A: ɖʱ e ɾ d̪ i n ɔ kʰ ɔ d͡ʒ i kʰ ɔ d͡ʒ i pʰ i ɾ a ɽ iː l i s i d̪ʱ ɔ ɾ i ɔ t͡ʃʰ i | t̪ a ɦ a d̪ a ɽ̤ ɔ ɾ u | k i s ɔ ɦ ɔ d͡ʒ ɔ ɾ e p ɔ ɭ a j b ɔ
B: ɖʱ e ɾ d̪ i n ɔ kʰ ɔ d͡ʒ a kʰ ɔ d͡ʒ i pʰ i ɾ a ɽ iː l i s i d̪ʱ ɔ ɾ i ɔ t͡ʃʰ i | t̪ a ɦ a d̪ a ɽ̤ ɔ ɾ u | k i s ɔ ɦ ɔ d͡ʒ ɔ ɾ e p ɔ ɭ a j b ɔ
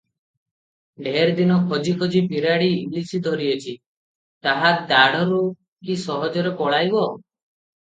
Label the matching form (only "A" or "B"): A